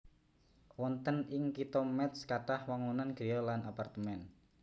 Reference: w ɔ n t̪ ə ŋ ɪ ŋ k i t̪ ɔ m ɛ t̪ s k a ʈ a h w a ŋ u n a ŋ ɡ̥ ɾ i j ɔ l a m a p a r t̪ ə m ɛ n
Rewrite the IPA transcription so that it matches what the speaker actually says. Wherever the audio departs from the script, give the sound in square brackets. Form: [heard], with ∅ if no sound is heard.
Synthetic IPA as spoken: w ɔ n t̪ ə [n] ɪ ŋ k i t̪ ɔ m ɛ t̪ s k a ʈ a h w a ŋ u n a [n] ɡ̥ ɾ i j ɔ l a [n] a p a r t̪ ə m ɛ n